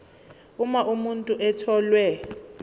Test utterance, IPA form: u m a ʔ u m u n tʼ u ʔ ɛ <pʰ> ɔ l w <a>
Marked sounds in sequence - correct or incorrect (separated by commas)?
incorrect, incorrect